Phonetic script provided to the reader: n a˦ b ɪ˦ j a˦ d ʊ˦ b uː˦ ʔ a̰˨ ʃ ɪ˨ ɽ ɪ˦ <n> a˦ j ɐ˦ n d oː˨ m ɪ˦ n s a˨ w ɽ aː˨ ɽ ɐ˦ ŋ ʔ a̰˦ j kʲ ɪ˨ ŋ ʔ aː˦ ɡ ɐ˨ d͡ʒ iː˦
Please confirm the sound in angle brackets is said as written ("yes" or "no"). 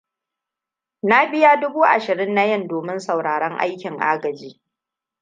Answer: no